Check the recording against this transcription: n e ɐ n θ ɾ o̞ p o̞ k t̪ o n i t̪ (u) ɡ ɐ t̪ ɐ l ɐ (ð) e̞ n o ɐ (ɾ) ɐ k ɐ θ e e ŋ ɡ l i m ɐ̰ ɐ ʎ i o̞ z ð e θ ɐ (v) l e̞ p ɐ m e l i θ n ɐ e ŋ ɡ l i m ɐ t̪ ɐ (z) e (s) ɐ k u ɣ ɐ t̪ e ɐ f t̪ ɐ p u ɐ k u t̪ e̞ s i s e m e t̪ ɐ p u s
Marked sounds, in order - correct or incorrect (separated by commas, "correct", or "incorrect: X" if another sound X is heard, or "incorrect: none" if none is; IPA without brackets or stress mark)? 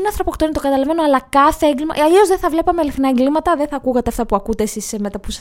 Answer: incorrect: o, incorrect: v, incorrect: l, correct, incorrect: ð, incorrect: θ